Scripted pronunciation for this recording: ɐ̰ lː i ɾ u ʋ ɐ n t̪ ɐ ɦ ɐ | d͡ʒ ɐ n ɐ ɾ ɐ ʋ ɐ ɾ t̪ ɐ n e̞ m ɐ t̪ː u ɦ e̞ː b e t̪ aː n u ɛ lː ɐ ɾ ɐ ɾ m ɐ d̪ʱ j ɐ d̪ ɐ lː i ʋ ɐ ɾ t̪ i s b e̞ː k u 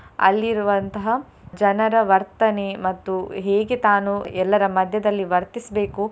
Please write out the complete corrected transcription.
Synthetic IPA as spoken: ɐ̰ lː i ɾ u ʋ ɐ n t̪ ɐ ɦ ɐ | d͡ʒ ɐ n ɐ ɾ ɐ ʋ ɐ ɾ t̪ ɐ n e̞ m ɐ t̪ː u ɦ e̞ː ɡ e t̪ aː n u ɛ lː ɐ ɾ ɐ m ɐ d̪ʱ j ɐ d̪ ɐ lː i ʋ ɐ ɾ t̪ i s b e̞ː k u